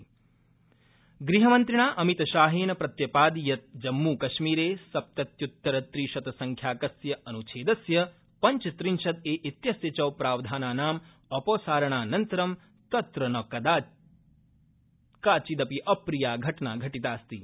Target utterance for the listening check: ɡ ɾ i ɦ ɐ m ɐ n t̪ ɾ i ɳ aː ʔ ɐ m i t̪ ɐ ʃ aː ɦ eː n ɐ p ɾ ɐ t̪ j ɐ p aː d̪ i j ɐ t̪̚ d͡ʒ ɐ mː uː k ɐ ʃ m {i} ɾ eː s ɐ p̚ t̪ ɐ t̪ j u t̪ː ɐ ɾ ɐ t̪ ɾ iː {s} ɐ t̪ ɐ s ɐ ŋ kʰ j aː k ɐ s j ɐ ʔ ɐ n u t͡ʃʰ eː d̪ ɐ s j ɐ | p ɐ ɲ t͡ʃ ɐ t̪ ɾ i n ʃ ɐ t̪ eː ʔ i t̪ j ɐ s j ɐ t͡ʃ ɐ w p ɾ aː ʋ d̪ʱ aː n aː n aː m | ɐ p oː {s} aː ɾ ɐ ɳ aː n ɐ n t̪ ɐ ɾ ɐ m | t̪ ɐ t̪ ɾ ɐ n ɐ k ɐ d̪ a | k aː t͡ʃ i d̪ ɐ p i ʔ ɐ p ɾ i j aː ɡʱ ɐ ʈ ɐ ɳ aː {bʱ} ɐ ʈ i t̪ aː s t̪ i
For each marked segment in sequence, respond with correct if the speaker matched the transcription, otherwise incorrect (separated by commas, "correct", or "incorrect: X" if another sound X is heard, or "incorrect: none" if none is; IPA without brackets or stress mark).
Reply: incorrect: iː, incorrect: ʃ, correct, incorrect: ɡʱ